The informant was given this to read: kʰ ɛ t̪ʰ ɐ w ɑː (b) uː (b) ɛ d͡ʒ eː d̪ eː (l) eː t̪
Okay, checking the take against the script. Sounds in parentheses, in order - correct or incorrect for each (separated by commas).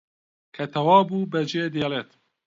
correct, correct, correct